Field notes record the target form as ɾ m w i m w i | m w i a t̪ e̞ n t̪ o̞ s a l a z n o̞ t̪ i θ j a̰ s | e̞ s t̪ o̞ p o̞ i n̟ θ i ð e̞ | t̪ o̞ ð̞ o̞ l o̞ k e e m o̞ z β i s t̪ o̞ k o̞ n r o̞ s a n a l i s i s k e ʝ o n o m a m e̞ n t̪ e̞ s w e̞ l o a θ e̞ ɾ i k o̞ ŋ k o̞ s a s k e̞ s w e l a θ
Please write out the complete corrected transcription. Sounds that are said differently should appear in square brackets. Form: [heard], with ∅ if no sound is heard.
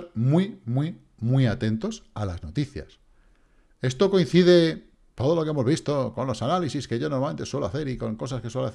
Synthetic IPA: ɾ m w i m w i | m w i a t̪ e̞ n t̪ o̞ s a l a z n o̞ t̪ i θ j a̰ s | e̞ s t̪ o̞ [k] o̞ i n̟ θ i ð e̞ | t̪ o̞ ð̞ o̞ l o̞ k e e m o̞ z β i s t̪ o̞ k o̞ n [l] o̞ s a n a l i s i s k e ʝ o n o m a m e̞ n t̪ e̞ s w e̞ l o a θ e̞ ɾ i k o̞ ŋ k o̞ s a s k e̞ s w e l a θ